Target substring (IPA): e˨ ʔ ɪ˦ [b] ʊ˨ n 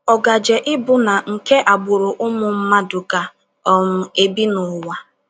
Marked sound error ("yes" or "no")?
no